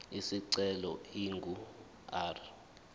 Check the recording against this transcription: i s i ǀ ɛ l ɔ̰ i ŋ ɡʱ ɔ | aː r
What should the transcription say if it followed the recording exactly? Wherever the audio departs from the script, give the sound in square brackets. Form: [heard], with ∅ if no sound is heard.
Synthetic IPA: i s i ǀ ɛ l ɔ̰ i ŋ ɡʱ [u] | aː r